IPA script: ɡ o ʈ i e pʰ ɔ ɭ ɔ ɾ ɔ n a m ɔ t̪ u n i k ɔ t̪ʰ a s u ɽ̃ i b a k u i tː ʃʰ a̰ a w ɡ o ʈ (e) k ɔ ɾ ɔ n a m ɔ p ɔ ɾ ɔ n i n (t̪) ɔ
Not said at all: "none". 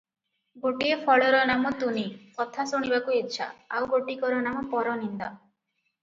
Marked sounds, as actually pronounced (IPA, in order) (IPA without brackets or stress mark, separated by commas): i, d̪